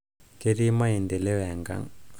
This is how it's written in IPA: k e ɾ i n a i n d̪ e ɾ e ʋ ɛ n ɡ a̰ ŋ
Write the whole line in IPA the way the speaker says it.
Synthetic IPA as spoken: k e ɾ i m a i n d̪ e l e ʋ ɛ ŋ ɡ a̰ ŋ